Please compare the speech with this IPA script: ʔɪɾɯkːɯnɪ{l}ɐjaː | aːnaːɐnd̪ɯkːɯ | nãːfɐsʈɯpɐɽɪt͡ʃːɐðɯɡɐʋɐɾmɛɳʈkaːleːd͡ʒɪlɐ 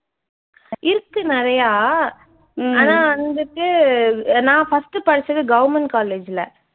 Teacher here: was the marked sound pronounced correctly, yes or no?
no